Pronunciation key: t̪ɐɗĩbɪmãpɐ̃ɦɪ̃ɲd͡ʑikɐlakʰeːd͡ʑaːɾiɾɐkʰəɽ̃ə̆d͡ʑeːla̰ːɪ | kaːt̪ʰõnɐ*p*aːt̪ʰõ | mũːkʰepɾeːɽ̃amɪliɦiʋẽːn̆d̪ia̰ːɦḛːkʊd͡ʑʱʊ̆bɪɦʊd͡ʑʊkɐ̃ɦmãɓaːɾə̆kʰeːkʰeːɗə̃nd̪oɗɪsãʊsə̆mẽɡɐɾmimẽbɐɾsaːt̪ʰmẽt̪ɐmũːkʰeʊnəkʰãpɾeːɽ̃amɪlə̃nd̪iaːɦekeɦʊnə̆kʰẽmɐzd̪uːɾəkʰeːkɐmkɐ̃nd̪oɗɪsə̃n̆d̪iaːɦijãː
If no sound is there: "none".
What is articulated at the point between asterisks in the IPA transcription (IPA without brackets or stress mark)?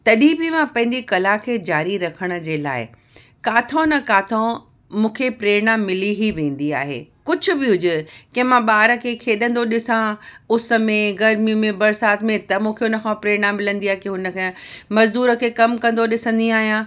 k